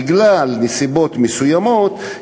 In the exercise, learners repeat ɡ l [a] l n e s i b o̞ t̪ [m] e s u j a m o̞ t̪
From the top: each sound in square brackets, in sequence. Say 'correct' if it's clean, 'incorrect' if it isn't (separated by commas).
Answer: correct, correct